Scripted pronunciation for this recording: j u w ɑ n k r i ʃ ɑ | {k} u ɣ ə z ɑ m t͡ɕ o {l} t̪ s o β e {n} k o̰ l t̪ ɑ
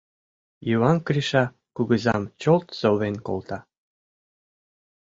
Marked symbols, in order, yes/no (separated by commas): yes, yes, yes